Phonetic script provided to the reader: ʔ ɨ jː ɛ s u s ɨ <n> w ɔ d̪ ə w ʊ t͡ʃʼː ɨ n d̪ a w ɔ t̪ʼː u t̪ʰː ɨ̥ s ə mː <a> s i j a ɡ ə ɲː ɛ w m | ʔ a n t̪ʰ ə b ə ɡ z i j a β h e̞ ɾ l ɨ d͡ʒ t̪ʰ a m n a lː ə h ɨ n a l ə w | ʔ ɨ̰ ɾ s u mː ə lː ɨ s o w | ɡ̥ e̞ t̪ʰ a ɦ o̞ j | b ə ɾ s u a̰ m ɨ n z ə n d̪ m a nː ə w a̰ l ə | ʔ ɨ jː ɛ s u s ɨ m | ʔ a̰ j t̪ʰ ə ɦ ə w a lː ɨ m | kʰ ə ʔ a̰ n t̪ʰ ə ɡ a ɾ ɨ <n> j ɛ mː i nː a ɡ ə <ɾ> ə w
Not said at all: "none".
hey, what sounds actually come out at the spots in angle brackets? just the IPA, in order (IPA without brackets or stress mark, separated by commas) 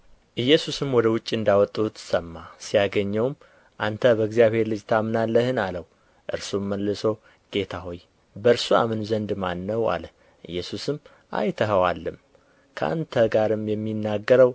m, a, m, ɾ